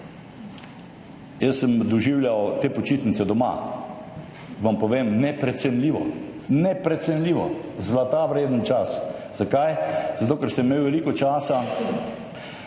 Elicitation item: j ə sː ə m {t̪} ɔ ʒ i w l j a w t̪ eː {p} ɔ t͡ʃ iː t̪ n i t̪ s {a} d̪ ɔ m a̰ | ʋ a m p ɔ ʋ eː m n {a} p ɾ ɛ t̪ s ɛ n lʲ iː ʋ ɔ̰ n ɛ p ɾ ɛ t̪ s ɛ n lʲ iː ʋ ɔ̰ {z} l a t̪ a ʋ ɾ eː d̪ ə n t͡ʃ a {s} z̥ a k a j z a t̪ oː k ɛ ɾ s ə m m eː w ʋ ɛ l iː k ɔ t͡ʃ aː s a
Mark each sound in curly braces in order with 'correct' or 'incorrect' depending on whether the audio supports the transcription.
incorrect: d̪, correct, incorrect: ɛ, incorrect: ɛ, correct, correct

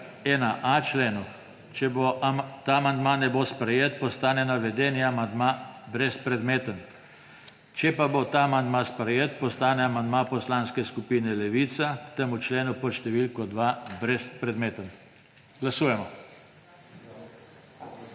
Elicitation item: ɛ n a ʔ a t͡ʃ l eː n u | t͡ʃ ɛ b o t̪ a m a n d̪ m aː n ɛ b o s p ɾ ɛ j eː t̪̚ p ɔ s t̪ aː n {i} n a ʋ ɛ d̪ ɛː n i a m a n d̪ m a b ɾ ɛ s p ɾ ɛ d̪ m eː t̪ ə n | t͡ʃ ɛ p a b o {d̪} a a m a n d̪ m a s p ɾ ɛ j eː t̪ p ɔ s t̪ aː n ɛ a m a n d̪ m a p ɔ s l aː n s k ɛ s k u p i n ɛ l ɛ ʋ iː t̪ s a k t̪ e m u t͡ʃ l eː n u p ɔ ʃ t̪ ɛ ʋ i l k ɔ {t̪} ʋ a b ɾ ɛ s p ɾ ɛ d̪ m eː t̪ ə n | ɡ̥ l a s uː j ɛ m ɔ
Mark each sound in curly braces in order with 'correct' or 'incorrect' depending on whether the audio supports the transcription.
incorrect: ɛ, incorrect: t̪, incorrect: d̪

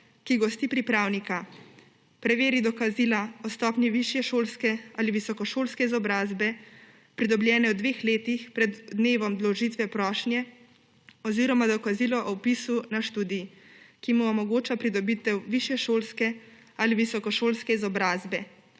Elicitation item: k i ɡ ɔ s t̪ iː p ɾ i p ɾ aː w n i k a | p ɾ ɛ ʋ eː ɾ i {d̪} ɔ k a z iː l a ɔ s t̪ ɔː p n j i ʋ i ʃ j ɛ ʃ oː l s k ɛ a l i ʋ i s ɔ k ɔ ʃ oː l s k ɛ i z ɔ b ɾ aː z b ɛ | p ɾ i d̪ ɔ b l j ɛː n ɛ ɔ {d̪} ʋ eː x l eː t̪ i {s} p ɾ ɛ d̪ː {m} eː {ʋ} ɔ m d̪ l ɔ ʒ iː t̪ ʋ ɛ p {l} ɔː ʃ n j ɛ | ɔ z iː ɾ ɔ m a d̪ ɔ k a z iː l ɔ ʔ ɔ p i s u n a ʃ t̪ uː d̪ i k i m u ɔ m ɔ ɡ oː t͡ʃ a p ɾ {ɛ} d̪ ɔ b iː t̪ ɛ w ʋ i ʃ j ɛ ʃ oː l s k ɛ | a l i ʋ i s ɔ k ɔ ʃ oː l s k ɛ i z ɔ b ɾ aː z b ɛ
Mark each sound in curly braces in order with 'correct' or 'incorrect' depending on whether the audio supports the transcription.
correct, correct, incorrect: x, incorrect: n, correct, incorrect: ɾ, incorrect: i

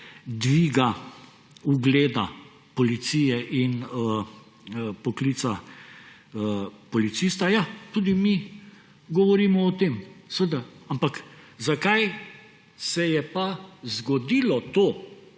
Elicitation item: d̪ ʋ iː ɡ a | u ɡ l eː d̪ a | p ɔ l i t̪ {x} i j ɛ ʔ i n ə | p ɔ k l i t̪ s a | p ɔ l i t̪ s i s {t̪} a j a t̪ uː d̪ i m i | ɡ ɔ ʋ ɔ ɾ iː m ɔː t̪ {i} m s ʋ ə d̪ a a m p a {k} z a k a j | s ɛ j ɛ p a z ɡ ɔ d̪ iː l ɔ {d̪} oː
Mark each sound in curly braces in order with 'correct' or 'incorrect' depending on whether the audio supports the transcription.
incorrect: s, correct, incorrect: e, correct, incorrect: t̪

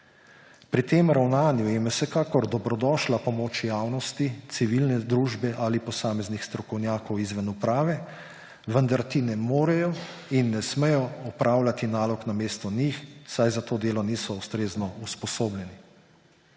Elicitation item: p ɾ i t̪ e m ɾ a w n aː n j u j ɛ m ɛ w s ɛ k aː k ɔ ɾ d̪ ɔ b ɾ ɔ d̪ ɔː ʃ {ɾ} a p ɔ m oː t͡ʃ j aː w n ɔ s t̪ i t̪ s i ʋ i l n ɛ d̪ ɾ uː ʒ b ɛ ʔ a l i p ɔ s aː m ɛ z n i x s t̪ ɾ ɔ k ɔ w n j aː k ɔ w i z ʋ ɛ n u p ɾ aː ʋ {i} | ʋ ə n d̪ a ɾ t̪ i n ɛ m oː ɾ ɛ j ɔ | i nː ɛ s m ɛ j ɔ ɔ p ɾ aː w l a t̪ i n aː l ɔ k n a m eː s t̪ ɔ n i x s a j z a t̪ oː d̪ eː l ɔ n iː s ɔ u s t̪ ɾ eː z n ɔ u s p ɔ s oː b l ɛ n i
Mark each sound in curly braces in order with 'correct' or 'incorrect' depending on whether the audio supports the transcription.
incorrect: l, incorrect: ɛ

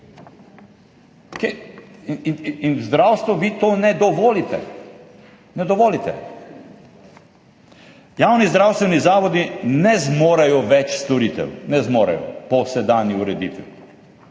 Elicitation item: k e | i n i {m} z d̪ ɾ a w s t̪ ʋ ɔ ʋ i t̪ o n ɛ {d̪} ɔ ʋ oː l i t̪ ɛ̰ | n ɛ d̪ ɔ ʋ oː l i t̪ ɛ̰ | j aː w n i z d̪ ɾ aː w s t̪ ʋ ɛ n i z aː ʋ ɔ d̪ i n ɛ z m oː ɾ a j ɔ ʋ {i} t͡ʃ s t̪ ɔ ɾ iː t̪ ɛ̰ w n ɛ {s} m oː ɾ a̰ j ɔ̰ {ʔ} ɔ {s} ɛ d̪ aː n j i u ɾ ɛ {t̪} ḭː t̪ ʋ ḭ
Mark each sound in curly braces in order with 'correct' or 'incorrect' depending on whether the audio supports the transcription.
incorrect: n, correct, incorrect: ɛ, incorrect: z, incorrect: p, correct, incorrect: d̪

